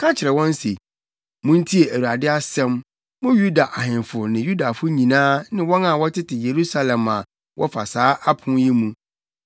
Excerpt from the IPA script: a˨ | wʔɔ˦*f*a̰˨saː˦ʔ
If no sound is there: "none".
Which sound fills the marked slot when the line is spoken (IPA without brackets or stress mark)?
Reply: f